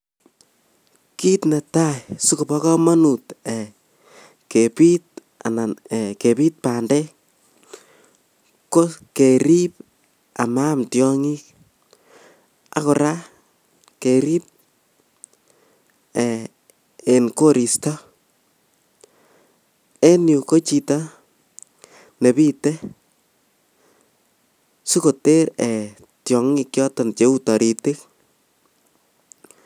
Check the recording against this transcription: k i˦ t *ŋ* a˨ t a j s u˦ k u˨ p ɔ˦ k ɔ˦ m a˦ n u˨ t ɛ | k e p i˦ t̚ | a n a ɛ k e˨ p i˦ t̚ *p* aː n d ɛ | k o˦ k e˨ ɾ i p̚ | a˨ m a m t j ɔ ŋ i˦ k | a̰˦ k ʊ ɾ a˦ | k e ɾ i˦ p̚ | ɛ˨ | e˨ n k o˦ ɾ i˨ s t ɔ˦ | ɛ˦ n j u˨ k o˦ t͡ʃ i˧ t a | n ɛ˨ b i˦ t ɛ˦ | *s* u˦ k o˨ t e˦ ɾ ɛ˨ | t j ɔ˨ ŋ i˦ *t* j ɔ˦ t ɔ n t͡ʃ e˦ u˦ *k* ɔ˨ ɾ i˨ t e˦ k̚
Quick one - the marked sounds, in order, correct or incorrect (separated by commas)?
incorrect, correct, correct, incorrect, incorrect